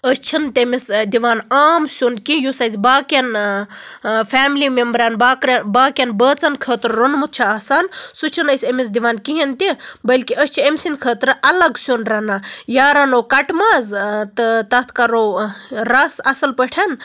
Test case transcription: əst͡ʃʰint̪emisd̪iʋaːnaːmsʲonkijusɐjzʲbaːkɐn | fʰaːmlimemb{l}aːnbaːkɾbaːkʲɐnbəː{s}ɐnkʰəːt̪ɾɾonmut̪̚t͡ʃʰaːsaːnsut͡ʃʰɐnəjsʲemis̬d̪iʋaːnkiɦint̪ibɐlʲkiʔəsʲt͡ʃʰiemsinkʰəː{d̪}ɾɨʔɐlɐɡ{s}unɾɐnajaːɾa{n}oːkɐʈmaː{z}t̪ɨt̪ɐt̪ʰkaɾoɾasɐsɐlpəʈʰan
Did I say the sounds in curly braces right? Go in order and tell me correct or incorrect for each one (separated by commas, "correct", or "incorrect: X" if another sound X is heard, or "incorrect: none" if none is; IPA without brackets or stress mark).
incorrect: ɾ, incorrect: t͡s, incorrect: t̪, correct, correct, correct